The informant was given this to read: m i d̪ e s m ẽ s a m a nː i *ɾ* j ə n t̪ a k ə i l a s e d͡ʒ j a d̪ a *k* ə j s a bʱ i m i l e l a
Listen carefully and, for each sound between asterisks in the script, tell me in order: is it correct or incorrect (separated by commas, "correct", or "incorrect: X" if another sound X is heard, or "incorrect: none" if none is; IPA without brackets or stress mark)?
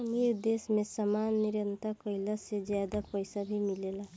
correct, incorrect: p